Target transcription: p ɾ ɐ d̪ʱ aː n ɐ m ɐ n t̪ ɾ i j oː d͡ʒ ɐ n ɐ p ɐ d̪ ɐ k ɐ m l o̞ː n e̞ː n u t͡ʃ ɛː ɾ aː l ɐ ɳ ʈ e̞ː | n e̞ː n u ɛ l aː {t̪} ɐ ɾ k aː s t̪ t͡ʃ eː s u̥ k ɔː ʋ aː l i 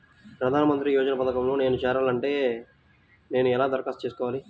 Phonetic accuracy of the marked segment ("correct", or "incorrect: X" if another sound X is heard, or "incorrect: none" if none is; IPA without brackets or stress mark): incorrect: d̪